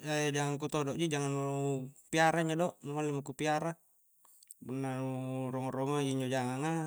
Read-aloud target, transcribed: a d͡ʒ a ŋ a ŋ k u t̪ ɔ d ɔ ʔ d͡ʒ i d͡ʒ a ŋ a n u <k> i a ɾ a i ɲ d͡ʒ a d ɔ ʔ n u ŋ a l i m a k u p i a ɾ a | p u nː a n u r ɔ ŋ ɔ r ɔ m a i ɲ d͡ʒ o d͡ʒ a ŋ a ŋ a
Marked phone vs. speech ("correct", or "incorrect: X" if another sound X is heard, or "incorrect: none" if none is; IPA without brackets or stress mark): incorrect: p